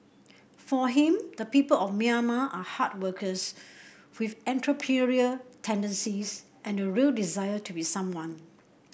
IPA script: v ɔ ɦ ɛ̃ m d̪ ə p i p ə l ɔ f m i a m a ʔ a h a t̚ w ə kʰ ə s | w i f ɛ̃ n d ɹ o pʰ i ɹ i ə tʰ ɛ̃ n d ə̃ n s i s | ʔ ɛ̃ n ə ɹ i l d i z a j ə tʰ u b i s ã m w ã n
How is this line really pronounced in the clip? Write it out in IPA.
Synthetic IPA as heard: f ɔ ɦ ĩ m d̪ ə p i p ə l ɔ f m i a m a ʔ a h a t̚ w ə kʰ ə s | w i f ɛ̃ n t ɹ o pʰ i ɹ i ə tʰ ɛ̃ n d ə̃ n s i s | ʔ ɛ̃ n ə ɹ i l d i z a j ə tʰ u b i s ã m w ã n